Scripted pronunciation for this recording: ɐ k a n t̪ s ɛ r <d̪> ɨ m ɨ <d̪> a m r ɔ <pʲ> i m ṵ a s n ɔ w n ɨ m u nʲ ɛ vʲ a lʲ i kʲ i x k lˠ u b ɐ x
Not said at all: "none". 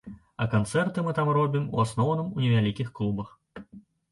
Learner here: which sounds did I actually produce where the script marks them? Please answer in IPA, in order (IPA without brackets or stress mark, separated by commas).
t̪, t̪, bʲ